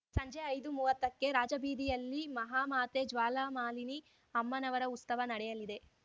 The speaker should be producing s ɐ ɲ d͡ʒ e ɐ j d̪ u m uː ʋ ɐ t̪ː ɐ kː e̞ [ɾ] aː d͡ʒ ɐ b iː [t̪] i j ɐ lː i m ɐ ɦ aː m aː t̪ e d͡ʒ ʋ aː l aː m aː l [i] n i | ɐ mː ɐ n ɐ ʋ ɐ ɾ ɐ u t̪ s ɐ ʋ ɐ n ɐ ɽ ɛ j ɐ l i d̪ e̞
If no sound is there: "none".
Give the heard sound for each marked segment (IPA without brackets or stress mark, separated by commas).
ɾ, d̪, i